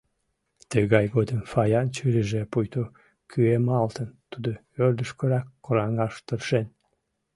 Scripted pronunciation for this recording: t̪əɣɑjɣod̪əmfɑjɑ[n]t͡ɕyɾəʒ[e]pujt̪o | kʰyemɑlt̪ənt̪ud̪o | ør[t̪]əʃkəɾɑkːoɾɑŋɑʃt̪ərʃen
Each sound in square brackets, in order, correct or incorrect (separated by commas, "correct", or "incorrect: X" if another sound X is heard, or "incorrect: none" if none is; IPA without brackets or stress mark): correct, correct, incorrect: d̪